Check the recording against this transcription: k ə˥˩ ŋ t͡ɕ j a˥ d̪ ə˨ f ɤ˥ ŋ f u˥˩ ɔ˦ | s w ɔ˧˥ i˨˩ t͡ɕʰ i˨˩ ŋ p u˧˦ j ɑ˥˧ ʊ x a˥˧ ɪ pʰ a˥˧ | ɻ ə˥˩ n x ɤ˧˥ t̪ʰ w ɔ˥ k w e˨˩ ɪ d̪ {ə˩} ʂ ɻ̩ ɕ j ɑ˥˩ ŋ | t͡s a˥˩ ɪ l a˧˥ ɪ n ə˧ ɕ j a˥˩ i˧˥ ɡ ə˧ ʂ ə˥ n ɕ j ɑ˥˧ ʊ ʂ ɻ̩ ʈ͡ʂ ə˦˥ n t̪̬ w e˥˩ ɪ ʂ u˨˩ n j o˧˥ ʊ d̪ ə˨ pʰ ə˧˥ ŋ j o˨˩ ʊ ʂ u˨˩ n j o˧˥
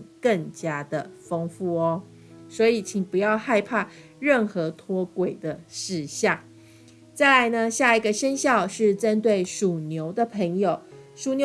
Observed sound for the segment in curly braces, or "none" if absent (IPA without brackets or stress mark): ə˦